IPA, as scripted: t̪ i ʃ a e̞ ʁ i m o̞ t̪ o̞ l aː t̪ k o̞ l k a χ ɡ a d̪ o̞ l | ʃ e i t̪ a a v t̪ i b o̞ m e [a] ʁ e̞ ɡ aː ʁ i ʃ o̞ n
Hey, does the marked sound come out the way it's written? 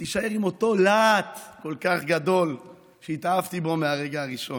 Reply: yes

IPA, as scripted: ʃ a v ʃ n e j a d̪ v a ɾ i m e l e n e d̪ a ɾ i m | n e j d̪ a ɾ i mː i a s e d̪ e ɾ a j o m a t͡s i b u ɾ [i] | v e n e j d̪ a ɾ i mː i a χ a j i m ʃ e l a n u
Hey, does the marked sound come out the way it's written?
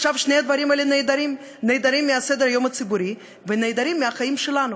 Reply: yes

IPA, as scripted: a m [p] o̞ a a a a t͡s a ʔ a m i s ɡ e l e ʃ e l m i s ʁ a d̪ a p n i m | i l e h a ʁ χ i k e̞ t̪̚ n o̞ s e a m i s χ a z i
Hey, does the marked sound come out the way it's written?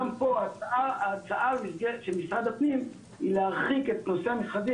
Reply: yes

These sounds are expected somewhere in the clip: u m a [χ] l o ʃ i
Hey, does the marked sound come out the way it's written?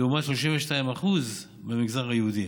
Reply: no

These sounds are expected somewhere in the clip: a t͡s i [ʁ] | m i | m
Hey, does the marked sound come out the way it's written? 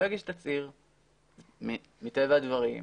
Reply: yes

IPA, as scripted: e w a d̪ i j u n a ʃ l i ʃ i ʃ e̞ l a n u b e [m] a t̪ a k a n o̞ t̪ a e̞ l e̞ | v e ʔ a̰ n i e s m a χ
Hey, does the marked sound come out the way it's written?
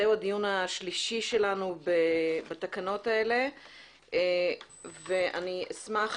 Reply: no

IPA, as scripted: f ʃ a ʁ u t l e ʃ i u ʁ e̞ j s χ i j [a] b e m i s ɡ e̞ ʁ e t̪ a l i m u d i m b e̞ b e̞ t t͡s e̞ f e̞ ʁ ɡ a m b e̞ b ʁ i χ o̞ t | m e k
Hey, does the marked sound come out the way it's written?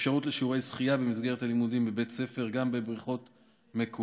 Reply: yes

